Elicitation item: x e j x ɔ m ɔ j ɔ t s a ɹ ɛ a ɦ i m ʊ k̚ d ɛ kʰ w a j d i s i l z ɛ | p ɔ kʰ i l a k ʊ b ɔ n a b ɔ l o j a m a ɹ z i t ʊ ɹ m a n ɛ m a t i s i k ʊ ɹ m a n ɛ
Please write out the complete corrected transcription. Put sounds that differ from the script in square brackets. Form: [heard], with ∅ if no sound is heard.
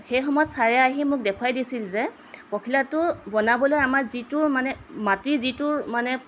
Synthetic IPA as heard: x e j x ɔ m ɔ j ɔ t s a ɹ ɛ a ɦ i m ʊ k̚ d ɛ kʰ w a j d i s i l z ɛ | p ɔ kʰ i l a [t] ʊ b ɔ n a b ɔ l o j a m a ɹ z i t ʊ ɹ m a n ɛ m a t i [z] i [t] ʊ ɹ m a n ɛ